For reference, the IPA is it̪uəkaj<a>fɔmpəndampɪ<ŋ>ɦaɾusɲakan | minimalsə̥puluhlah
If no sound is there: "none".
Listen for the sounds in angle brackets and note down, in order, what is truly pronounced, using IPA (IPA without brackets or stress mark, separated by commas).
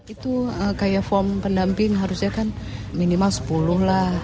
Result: a, ŋ